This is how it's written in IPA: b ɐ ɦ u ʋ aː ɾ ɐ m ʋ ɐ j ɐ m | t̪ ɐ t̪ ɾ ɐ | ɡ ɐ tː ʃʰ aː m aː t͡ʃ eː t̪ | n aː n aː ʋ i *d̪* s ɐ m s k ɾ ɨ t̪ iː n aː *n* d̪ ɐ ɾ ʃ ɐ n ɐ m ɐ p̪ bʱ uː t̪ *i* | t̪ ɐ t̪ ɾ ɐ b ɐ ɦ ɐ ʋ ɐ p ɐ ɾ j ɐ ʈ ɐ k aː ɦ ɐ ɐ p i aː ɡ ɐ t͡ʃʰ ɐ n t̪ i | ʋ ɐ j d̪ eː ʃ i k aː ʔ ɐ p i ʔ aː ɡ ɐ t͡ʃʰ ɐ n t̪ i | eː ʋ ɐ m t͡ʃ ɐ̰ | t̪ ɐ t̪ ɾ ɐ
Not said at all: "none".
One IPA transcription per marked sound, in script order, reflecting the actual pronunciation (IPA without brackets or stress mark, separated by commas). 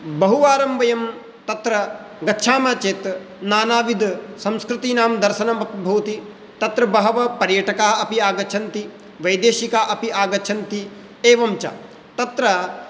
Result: d̪, m, i